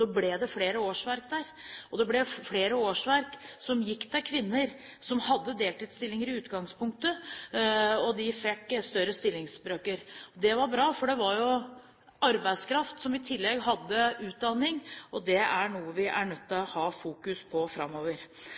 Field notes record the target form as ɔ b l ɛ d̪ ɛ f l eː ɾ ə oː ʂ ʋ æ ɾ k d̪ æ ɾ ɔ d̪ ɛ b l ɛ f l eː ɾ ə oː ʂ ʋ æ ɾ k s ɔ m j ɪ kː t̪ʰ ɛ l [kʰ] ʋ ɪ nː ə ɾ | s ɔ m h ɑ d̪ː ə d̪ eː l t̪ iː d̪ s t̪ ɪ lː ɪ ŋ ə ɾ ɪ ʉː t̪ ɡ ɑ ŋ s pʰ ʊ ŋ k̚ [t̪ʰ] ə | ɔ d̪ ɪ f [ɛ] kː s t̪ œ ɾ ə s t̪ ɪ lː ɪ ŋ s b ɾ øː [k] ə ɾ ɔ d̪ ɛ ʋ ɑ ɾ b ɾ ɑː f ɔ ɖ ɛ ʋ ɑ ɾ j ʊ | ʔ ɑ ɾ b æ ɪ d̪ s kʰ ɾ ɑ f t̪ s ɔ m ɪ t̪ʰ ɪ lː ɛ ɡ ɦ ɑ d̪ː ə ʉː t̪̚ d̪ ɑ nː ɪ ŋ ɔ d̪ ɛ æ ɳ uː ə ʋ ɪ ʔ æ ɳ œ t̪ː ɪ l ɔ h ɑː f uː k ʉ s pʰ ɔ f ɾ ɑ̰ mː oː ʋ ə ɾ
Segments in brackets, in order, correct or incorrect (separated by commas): correct, incorrect, correct, correct